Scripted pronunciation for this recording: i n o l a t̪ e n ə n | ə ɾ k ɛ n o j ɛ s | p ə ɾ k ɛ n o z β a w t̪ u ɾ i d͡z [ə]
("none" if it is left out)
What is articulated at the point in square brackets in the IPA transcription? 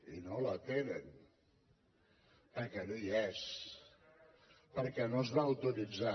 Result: a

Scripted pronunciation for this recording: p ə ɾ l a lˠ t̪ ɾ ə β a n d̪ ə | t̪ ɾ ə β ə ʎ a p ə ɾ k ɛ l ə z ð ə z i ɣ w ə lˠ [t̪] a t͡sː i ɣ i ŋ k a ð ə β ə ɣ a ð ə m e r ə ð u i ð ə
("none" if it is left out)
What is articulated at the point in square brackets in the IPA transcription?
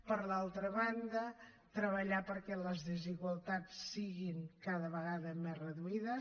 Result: t̪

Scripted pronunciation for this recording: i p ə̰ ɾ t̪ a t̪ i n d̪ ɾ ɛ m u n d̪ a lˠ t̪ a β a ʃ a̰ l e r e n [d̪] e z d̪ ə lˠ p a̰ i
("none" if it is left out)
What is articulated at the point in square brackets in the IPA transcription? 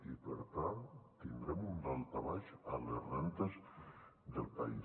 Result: t̪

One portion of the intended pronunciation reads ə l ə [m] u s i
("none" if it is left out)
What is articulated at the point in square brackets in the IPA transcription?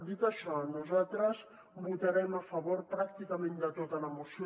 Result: m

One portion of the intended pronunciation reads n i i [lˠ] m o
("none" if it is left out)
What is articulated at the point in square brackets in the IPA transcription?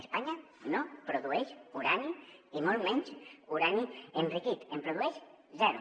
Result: none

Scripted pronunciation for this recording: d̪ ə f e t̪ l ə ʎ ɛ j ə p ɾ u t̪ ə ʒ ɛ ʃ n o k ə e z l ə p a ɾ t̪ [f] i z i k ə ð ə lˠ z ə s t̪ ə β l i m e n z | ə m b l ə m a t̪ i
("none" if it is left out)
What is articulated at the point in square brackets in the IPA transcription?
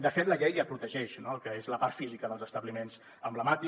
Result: f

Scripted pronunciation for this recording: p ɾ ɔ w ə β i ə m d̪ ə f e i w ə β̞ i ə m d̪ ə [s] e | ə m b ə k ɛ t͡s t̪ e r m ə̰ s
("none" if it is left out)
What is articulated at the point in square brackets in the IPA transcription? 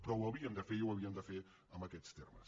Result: f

